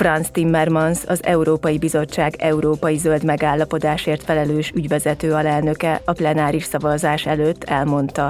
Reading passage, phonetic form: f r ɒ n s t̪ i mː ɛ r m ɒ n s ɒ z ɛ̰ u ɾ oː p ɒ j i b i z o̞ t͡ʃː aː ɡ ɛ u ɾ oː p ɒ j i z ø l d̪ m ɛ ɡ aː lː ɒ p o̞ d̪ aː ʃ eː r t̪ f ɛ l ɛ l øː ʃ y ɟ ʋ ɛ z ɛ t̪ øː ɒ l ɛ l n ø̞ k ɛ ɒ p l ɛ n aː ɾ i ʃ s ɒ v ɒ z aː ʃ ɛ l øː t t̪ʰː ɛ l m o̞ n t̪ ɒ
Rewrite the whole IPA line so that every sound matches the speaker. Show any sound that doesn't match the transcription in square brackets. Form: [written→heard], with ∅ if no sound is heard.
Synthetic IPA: f r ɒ n s t̪ i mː ɛ r m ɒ n s ɒ z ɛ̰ u ɾ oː p ɒ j i b i z o̞ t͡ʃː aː ɡ ɛ u ɾ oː p ɒ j i z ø l d̪ m ɛ ɡ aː lː ɒ p o̞ d̪ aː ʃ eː r t̪ f ɛ l ɛ l øː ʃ y ɟ ʋ ɛ z ɛ t̪ øː ɒ l ɛ l n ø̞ k ɛ ɒ p l ɛ n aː ɾ i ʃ s ɒ v ɒ z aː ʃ ɛ l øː t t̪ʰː ɛ l m o̞ n t̪ ɒ